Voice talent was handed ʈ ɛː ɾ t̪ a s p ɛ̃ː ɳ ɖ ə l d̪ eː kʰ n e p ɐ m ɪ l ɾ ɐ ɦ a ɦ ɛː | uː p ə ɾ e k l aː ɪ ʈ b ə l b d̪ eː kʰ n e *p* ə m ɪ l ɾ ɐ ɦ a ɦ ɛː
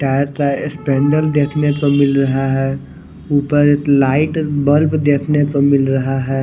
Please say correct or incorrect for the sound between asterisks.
correct